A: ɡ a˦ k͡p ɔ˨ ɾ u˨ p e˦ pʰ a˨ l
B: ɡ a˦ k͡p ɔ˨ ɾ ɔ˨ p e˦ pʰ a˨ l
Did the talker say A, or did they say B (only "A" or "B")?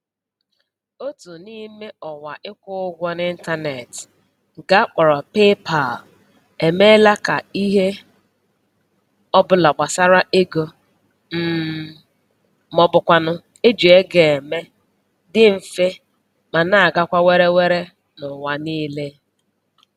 B